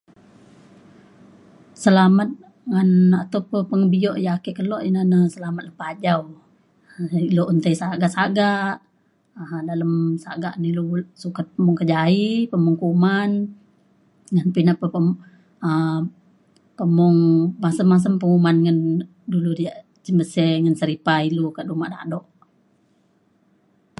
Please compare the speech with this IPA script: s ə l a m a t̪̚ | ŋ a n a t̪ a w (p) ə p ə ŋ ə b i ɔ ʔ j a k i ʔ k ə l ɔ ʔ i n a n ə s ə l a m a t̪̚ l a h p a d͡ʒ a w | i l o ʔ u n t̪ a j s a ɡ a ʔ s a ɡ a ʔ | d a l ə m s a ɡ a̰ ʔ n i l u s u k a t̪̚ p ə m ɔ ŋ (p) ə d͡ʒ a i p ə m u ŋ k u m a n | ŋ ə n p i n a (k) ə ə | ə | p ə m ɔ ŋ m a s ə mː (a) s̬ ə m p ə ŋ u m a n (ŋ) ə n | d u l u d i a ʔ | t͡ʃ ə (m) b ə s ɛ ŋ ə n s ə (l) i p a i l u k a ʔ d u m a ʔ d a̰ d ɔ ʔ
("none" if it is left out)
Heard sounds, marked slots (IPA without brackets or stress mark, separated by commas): p, k, p, a, ŋ, m, ɾ